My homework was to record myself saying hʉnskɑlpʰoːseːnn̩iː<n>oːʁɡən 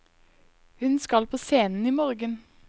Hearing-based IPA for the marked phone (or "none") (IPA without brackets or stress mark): m